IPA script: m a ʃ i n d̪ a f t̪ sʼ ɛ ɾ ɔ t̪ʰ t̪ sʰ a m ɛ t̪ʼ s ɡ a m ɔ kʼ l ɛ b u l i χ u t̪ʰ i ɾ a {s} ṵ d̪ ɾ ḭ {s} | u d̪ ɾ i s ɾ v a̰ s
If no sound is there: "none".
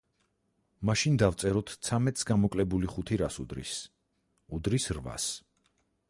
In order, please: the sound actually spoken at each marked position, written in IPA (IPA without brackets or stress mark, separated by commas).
s, s